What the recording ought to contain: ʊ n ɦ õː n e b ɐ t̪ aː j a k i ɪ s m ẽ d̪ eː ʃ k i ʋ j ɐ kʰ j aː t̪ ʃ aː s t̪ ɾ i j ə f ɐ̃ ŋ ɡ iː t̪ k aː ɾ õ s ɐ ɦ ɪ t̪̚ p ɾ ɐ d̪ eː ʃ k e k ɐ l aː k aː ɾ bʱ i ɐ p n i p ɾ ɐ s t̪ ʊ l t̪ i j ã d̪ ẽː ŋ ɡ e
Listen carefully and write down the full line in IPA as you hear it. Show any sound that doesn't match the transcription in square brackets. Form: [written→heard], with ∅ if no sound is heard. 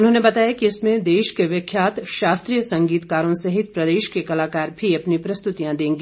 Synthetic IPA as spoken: ʊ n ɦ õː n e b ɐ t̪ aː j a k i ɪ s m ẽ d̪ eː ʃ k [i→e] ʋ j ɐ kʰ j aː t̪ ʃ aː s t̪ ɾ i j ə [f→s] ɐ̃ ŋ ɡ iː t̪ k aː ɾ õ s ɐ ɦ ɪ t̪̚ p ɾ ɐ d̪ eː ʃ k e k ɐ l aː k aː ɾ bʱ i ɐ p n i p ɾ ɐ s t̪ ʊ [l→∅] t̪ i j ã d̪ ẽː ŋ ɡ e